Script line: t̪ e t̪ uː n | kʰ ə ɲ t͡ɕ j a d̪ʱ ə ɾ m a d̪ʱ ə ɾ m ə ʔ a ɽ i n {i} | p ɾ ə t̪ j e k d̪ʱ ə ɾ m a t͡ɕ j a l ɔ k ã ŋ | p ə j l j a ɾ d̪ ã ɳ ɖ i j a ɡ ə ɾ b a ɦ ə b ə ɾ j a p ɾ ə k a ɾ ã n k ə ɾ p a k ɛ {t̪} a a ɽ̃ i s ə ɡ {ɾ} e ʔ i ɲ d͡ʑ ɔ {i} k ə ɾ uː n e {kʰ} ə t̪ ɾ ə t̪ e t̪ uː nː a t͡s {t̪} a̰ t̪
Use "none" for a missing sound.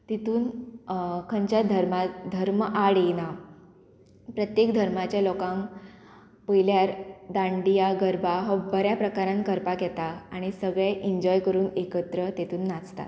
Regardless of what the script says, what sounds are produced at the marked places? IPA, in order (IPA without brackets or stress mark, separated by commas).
a, t̪, ɭ, j, k, t̪